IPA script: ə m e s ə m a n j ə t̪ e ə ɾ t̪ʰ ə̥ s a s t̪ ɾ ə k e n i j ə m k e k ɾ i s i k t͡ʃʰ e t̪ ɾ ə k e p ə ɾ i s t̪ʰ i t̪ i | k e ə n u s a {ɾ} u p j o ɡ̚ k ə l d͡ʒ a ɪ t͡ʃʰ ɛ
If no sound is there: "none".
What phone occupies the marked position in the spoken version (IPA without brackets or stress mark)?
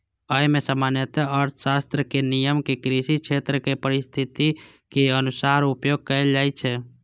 ɾ